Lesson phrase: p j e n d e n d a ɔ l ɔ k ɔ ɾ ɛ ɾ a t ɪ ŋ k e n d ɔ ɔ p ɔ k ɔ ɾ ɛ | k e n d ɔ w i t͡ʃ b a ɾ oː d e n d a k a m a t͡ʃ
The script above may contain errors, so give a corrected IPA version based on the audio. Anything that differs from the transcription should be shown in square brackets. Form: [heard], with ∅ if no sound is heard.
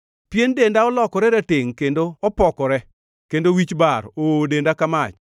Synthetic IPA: p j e n d e n d a ɔ l ɔ k ɔ ɾ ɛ ɾ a t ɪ ŋ k e n d [o] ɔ p ɔ k ɔ ɾ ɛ | k e n d [o] w i t͡ʃ b a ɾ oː d e n d a k a m a t͡ʃ